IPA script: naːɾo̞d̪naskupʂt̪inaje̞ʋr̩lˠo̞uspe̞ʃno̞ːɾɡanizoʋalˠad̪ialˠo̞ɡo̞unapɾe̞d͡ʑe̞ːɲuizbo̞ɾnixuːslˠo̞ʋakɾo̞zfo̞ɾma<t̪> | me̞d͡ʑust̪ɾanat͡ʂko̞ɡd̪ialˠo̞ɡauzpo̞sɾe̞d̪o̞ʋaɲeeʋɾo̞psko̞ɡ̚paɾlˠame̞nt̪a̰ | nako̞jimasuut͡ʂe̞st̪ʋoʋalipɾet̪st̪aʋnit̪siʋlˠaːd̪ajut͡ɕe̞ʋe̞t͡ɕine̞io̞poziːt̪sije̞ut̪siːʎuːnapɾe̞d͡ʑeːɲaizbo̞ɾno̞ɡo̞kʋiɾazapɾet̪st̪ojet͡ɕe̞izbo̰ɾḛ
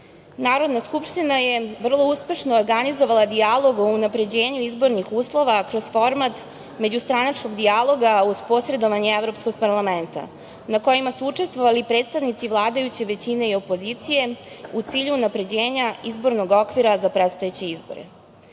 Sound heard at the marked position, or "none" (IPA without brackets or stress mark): t̪